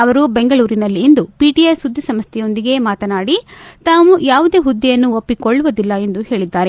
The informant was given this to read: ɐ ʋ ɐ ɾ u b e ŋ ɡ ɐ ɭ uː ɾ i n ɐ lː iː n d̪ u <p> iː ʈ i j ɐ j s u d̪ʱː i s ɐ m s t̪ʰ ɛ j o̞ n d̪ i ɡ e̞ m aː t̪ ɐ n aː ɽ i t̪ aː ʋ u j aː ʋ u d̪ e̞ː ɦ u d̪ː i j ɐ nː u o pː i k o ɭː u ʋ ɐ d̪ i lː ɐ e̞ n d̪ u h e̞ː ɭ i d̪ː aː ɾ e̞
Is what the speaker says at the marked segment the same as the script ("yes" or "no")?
yes